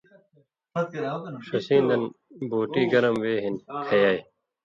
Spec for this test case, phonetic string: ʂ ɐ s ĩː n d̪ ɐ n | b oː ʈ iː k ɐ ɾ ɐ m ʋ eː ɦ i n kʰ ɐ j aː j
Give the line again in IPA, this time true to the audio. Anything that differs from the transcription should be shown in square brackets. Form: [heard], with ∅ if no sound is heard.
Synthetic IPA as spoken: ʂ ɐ s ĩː n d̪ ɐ n | b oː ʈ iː [ɡ] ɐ ɾ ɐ m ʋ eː ɦ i n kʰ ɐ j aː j